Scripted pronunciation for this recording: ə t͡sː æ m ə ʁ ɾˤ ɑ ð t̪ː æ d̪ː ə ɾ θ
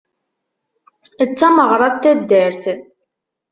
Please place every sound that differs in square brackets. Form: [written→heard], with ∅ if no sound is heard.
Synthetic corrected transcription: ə t͡sː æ m ə ʁ ɾˤ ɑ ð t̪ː æ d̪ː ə ɾ θ